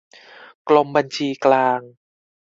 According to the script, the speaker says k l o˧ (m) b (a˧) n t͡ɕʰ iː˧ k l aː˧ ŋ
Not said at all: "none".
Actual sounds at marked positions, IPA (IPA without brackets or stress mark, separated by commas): m, a˧